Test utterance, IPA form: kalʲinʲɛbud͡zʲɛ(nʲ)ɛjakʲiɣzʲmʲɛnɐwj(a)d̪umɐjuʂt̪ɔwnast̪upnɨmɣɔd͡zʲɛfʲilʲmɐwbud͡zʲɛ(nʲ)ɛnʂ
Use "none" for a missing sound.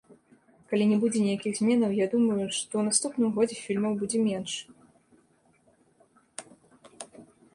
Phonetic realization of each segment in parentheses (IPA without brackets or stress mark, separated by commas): nʲ, a, mʲ